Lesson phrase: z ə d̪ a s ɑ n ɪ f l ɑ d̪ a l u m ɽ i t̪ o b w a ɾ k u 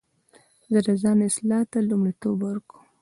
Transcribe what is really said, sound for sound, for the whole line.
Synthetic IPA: z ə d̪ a z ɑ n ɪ s l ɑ t̪ a l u m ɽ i t̪ o b w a ɾ k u